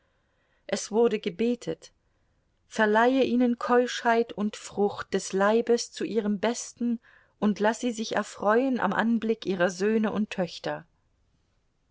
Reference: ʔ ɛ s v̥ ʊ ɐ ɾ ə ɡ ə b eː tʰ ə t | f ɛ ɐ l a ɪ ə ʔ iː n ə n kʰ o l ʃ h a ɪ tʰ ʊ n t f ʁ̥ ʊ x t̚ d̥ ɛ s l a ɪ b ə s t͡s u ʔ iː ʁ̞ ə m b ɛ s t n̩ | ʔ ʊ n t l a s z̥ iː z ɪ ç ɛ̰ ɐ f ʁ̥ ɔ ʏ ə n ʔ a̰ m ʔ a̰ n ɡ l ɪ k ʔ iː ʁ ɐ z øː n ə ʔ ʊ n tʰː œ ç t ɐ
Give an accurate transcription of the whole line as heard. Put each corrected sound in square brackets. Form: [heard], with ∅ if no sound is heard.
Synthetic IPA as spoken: ʔ ɛ s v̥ ʊ ɐ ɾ ə ɡ ə b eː tʰ ə t | f ɛ ɐ l a ɪ ə ʔ iː n ə n kʰ [ɔ] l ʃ h a ɪ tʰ ʊ n t f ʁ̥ ʊ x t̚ d̥ ɛ s l a ɪ b ə s t͡s u ʔ iː ʁ̞ ə m b ɛ s t n̩ | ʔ ʊ n t l a s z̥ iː z ɪ ç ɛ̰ ɐ f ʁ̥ ɔ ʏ ə n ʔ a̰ m ʔ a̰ n [b] l ɪ k ʔ iː ʁ ɐ z øː n ə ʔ ʊ n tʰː œ ç t ɐ